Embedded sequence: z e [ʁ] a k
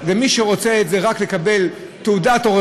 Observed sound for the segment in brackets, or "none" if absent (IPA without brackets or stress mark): ʁ